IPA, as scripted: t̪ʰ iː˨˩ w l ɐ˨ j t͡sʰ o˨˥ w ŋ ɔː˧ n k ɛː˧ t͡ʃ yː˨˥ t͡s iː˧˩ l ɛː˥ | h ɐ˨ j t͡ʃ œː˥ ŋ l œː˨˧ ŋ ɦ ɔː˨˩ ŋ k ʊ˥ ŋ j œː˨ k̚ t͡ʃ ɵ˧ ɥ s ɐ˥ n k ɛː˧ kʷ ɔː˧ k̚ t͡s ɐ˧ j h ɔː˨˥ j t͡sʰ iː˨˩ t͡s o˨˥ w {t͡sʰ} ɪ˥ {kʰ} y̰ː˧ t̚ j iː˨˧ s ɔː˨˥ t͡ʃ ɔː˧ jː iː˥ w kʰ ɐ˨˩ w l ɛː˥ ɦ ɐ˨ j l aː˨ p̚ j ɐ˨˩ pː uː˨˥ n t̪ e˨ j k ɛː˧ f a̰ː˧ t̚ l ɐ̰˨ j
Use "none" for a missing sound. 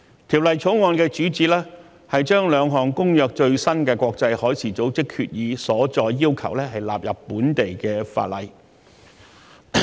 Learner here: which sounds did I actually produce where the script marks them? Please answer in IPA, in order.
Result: t͡s, kʰ

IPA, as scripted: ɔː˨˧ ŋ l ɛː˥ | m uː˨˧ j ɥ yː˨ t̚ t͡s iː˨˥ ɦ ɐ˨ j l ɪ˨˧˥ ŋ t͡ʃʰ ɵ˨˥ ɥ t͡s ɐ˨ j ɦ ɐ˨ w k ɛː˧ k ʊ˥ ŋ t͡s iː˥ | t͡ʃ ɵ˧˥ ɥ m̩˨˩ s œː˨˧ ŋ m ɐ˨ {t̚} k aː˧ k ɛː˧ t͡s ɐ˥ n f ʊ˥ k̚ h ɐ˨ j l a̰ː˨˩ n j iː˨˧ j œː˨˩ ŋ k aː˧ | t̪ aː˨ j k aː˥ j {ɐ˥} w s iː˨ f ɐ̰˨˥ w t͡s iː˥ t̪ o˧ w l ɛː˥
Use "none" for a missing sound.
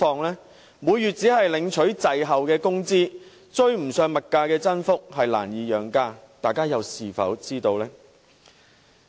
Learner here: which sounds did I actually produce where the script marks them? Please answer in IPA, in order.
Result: t̚, ɐ˨˧

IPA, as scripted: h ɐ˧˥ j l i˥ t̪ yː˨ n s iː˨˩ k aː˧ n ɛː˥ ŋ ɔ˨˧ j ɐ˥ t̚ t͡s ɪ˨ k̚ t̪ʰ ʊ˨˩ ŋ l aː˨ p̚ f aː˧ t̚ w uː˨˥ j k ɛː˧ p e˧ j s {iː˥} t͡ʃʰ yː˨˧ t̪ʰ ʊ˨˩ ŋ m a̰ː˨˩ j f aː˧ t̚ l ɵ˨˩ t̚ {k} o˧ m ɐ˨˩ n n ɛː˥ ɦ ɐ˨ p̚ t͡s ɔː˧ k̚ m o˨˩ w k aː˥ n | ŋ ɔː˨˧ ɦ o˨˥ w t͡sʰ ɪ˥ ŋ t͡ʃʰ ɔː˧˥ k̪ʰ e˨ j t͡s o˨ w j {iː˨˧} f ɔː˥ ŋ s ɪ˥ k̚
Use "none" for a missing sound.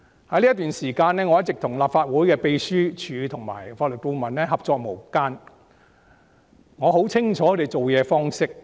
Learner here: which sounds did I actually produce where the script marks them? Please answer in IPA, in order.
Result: yː˥, k, ɛː˨˧

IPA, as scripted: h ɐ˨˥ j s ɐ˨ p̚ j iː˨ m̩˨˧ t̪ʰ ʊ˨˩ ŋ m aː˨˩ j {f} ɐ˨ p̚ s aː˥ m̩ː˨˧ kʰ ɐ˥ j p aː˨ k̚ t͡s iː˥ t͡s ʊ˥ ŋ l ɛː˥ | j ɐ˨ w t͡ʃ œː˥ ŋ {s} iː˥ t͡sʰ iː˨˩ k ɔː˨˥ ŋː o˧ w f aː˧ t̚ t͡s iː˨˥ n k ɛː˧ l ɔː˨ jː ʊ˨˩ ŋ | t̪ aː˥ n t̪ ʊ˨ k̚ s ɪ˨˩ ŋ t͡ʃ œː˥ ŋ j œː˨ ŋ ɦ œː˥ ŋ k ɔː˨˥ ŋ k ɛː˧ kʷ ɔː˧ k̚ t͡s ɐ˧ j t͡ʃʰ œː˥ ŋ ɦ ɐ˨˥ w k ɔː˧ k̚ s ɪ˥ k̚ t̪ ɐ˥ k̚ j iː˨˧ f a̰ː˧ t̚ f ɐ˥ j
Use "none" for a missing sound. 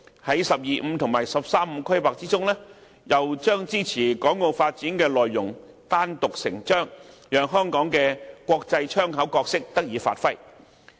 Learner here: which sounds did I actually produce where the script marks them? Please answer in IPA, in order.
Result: s, t͡s

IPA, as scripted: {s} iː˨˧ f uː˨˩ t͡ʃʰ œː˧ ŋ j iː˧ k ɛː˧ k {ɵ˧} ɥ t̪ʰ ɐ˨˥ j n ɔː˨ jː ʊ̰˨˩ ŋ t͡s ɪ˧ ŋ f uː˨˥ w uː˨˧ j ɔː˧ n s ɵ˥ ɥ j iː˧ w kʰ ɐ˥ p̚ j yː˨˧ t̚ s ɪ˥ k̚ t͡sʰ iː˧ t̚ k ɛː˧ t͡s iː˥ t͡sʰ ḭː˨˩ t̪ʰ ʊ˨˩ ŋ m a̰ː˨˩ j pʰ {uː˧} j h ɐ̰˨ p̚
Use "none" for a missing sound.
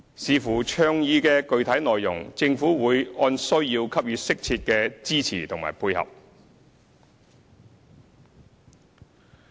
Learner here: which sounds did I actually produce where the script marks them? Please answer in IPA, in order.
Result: s, ɵ˧, uː˧

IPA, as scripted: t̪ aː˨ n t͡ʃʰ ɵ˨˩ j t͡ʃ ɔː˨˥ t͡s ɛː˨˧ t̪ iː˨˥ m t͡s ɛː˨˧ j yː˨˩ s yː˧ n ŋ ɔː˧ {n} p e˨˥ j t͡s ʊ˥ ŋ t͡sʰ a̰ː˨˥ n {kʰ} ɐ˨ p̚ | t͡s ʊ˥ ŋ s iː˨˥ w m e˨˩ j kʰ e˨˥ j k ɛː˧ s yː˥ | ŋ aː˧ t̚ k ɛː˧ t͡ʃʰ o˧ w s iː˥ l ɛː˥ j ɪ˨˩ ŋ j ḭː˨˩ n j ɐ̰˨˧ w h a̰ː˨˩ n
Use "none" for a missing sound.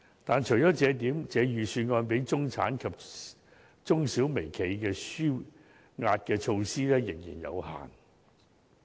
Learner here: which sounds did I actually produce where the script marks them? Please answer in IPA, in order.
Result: n, kʰ

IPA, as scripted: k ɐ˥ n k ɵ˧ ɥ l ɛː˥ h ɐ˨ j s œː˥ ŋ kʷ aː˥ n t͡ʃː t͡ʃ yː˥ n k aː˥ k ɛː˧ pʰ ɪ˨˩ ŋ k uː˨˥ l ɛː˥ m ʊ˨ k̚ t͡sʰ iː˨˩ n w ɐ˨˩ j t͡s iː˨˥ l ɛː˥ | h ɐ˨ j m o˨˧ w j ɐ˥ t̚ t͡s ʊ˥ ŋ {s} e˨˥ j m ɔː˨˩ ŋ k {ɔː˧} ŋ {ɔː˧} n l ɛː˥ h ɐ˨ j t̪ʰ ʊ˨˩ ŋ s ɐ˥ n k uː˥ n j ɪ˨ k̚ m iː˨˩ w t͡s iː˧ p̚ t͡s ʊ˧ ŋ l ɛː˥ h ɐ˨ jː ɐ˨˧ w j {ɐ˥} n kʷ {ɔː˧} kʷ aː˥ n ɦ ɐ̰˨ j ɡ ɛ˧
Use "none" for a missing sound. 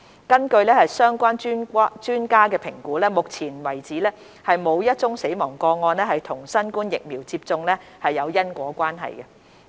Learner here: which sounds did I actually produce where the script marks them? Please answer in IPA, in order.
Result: s, ɔː˧, ɔː˧, ɐ˥, ɔː˨˥

